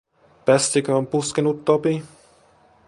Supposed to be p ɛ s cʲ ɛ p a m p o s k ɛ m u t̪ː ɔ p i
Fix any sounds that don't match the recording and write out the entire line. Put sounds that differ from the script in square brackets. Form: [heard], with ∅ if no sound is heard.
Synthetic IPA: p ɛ s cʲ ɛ [k] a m p [u] s k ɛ [n] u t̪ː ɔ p i